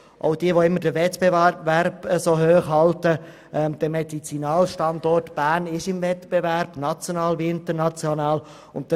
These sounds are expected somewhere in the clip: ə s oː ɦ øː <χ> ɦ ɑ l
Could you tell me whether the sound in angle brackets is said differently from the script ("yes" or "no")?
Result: no